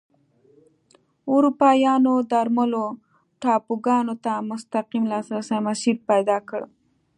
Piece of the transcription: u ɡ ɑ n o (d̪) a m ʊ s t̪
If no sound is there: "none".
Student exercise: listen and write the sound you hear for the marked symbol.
t̪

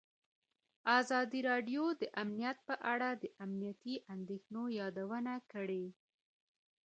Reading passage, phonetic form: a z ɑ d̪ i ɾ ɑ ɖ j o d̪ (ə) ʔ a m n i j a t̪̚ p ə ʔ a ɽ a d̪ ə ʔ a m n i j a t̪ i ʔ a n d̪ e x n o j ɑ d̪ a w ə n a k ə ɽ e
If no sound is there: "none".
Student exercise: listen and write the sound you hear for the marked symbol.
ə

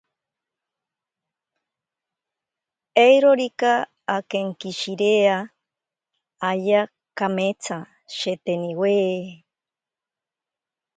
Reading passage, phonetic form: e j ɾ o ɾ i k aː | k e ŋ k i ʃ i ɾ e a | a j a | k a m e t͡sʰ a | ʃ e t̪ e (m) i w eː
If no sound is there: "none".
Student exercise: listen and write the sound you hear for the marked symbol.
n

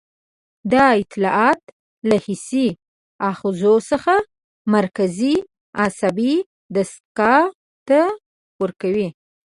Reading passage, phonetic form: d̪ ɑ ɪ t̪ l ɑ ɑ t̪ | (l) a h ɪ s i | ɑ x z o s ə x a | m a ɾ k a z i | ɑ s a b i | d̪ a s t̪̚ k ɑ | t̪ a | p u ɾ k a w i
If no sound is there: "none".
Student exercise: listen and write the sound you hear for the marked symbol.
l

